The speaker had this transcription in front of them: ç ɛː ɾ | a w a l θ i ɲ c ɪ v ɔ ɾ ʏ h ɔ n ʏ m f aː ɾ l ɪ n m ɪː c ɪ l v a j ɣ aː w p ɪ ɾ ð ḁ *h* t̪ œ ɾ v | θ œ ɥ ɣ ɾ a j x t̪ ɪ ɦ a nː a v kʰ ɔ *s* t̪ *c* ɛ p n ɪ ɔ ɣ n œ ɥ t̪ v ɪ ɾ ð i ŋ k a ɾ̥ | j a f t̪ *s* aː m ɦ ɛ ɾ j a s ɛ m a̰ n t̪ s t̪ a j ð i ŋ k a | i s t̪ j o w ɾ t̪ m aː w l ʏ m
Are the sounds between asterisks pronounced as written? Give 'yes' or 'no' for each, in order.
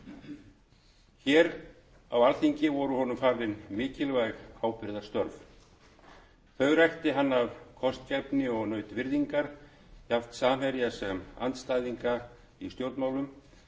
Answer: no, yes, yes, yes

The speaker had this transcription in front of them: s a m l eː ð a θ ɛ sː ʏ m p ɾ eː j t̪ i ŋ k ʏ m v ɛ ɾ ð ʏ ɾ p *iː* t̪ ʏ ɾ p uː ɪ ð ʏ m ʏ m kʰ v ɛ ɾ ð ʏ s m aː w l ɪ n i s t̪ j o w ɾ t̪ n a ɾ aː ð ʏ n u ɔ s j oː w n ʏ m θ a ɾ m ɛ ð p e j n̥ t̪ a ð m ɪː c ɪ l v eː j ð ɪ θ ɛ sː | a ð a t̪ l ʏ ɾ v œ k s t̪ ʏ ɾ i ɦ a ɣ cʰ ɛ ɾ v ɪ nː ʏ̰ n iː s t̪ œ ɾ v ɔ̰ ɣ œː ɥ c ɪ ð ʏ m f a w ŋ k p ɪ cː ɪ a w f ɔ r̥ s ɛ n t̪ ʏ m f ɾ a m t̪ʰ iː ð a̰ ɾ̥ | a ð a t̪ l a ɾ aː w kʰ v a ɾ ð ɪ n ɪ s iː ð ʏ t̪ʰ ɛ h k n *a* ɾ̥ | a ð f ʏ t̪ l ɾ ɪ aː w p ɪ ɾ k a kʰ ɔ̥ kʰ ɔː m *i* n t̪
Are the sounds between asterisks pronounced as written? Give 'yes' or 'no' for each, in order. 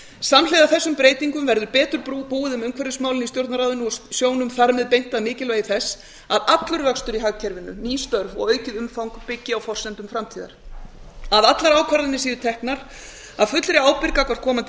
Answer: no, yes, no

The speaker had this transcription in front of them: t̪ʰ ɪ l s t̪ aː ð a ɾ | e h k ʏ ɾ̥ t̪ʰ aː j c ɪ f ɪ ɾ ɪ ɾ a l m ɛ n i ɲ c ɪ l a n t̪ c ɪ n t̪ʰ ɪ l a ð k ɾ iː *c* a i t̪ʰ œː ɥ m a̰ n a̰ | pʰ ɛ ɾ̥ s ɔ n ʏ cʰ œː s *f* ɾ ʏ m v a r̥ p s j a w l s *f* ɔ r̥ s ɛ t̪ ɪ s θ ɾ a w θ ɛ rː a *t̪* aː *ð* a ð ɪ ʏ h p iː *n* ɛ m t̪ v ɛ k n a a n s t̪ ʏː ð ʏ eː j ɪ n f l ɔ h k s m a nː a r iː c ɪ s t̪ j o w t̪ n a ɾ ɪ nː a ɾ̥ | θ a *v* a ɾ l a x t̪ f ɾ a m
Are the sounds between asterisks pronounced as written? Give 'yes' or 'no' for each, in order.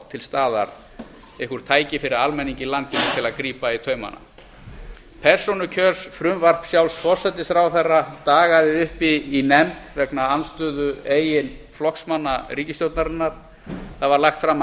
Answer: no, yes, yes, yes, no, yes, yes

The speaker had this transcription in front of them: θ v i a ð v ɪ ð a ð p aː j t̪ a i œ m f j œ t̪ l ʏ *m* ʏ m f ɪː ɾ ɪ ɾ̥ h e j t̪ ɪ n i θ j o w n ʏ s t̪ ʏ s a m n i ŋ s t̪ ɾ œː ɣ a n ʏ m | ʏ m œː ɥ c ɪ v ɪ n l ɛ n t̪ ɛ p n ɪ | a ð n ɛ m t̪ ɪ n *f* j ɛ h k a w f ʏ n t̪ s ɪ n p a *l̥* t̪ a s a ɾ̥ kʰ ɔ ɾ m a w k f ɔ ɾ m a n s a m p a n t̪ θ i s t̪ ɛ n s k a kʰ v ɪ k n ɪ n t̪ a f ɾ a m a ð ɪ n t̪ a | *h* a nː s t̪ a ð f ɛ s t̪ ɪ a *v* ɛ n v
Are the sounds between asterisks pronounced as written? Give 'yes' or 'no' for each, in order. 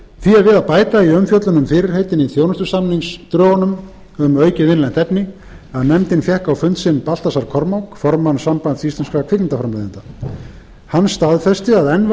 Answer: no, yes, yes, yes, no

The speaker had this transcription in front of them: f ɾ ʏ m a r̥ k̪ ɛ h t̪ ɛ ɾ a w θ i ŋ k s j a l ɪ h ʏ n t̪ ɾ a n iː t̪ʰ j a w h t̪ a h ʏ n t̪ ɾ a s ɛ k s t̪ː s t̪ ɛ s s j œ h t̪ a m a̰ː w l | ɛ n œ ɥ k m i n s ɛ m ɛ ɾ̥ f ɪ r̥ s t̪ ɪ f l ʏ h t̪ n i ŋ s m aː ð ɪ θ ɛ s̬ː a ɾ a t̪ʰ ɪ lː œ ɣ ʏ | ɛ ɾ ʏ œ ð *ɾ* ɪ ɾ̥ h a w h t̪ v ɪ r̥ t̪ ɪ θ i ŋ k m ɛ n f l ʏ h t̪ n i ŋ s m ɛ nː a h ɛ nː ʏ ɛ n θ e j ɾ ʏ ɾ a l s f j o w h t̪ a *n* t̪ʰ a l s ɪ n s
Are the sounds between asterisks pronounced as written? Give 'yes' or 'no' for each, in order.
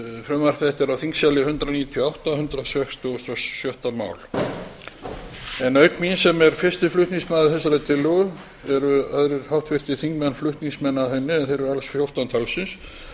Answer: yes, yes

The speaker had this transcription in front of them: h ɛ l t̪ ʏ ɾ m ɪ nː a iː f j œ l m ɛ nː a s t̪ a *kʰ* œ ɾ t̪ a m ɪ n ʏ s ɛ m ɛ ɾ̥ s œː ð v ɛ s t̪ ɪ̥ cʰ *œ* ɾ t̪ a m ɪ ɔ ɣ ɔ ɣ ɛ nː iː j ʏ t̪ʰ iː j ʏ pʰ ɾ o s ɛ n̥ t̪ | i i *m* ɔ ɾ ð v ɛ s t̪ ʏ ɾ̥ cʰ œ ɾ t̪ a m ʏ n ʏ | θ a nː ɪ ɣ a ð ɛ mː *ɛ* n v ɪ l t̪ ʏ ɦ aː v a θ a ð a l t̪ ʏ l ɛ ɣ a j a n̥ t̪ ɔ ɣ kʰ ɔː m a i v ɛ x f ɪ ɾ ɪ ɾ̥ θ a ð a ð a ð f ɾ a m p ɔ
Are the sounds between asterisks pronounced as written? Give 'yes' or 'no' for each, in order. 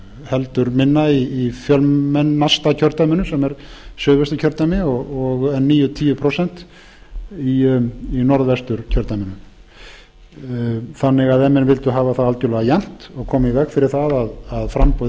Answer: no, yes, no, yes

